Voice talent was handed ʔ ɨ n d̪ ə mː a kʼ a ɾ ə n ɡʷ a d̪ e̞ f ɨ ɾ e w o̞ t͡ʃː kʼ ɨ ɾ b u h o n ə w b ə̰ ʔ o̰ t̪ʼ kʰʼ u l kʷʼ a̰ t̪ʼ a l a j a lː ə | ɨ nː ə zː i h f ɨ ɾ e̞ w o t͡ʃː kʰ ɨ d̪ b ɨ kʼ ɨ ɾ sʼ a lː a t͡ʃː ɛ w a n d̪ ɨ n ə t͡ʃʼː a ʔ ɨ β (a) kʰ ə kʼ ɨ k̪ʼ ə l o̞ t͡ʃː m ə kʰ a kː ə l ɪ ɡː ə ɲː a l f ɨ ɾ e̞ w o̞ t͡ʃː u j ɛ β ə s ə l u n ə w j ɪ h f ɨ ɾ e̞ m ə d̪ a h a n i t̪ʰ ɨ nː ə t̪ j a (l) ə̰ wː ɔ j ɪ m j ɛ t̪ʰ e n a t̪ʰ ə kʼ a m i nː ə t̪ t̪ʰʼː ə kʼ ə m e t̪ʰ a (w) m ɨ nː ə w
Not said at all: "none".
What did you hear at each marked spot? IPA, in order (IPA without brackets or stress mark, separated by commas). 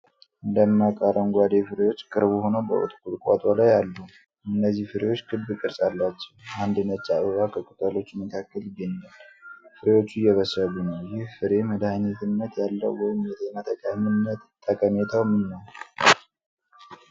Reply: a, lː, w